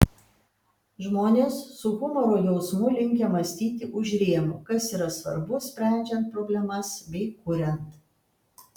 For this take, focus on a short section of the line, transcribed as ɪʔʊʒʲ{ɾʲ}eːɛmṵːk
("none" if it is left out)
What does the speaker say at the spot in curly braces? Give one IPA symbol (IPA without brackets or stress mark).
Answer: ɾʲ